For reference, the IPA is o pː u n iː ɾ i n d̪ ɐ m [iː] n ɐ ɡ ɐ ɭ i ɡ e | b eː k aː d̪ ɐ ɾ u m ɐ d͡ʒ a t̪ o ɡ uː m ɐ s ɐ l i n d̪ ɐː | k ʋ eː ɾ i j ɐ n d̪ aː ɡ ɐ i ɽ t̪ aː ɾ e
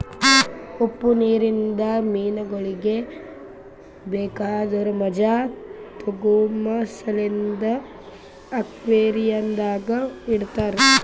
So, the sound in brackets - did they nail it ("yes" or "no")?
yes